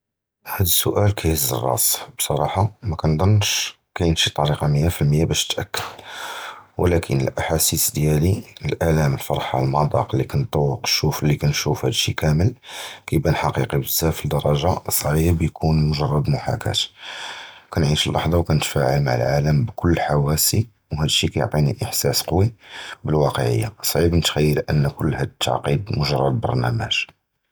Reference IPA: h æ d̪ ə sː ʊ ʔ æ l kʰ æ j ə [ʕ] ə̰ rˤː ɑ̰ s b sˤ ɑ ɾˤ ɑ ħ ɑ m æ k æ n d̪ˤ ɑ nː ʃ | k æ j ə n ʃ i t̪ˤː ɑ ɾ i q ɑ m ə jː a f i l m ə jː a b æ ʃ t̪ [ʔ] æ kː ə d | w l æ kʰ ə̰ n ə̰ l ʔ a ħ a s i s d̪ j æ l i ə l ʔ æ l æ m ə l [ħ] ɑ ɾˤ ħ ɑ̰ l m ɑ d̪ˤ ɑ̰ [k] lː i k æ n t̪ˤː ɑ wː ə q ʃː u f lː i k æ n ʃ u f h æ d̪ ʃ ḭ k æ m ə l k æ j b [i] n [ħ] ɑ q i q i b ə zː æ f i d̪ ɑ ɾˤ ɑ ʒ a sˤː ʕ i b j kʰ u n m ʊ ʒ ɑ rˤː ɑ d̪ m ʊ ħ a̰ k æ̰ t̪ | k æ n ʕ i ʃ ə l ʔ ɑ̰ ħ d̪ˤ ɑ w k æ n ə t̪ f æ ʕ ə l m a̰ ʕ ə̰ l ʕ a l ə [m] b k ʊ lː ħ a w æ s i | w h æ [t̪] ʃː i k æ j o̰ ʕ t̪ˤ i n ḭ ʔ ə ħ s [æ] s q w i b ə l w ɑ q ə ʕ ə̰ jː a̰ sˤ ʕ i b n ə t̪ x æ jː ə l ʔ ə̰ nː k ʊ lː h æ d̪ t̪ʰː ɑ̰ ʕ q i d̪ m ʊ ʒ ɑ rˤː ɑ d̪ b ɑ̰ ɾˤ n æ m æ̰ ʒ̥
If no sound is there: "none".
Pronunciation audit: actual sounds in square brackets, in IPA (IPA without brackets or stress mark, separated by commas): z, ʔ, f, q, æ, ħ, m, d̪, æ